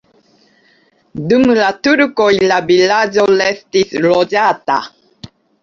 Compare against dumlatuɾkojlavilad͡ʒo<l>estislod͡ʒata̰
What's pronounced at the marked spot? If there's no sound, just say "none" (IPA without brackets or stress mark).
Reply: l